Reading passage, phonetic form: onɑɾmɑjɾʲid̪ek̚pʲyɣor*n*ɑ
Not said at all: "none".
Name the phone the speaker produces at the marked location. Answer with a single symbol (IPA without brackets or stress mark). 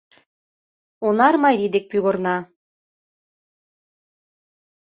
n